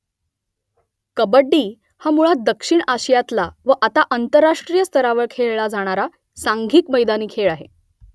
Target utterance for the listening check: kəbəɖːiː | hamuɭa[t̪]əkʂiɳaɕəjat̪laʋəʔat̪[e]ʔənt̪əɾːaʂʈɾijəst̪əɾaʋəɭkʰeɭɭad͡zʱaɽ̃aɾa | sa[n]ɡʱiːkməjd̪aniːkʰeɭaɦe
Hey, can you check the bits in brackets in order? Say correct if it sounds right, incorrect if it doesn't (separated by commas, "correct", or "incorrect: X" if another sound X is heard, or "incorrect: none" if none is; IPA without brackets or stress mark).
incorrect: d̪, incorrect: a, incorrect: ŋ